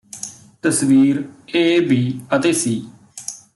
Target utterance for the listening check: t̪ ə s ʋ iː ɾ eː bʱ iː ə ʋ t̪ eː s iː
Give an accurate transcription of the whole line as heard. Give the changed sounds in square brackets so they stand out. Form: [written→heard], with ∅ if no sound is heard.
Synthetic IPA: t̪ ə s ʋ iː ɾ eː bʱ iː ə [ʋ→∅] t̪ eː s iː